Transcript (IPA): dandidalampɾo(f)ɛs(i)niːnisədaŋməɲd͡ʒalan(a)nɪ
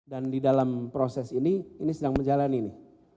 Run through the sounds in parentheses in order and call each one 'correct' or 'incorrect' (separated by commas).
incorrect, correct, incorrect